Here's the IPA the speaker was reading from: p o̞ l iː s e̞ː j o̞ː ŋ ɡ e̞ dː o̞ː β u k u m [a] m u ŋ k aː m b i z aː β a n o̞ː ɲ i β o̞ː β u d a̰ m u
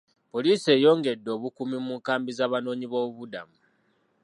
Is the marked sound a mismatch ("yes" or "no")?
yes